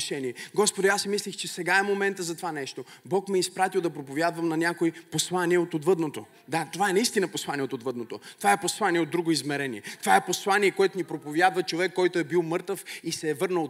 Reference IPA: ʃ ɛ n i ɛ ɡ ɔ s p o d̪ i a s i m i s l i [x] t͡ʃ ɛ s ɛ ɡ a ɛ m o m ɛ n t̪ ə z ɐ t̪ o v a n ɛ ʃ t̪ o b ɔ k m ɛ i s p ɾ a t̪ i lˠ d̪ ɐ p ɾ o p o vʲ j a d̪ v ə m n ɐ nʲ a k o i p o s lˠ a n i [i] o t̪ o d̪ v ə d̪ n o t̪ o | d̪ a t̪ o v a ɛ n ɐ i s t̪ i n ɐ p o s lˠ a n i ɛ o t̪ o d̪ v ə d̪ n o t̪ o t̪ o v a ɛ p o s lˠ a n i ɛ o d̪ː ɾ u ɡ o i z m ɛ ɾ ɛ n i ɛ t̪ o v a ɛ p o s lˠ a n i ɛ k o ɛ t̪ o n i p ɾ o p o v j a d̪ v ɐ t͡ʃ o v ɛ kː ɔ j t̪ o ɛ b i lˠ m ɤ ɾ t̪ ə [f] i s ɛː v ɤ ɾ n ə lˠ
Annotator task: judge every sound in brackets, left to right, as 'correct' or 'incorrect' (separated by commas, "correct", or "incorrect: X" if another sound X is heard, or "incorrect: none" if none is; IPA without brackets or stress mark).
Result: correct, incorrect: ɛ, correct